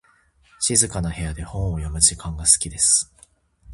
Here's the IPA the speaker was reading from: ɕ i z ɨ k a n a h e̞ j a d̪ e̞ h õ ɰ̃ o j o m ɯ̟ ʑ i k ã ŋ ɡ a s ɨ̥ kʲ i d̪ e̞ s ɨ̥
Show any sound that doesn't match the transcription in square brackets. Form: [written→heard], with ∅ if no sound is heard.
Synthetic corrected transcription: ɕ i z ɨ k a n a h e̞ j a d̪ e̞ h õ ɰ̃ o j o m ɯ̟ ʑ i k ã ŋ ɡ a s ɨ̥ kʲ i d̪ e̞ s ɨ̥